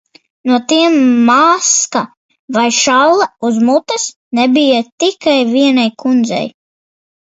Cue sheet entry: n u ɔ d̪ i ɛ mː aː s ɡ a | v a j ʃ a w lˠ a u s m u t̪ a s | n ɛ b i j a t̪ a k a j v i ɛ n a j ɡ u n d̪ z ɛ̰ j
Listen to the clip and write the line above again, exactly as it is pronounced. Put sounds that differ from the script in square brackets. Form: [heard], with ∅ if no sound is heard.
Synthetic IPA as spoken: n u ɔ [t̪] i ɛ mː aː s [k] a | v a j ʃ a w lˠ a u [z] m u t̪ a s | n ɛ b i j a t̪ [i] k a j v i ɛ n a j [k] u n d̪ z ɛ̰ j